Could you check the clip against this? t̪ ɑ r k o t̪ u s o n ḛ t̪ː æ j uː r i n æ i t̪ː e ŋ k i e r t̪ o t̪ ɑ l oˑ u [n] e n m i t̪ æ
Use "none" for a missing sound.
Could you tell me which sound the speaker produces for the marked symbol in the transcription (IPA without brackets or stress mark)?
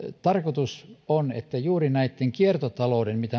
d